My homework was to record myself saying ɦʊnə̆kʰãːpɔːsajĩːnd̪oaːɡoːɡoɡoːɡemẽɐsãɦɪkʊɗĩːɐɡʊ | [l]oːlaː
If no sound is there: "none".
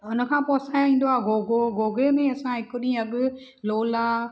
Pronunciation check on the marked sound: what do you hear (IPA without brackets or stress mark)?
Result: l